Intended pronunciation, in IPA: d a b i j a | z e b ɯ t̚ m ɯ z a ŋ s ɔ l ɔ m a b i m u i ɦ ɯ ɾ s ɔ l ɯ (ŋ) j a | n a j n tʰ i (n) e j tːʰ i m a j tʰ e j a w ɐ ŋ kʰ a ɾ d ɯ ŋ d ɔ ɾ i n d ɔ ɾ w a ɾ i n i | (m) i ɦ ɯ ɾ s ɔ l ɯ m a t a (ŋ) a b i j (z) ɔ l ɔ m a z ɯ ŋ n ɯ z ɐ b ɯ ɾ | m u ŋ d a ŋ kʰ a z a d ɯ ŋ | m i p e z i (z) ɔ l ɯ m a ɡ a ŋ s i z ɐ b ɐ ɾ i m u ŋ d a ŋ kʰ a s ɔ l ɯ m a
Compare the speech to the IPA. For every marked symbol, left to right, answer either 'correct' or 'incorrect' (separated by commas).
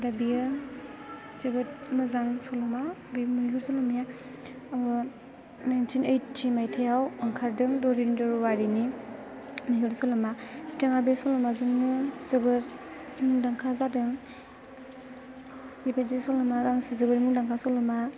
incorrect, correct, correct, correct, incorrect, incorrect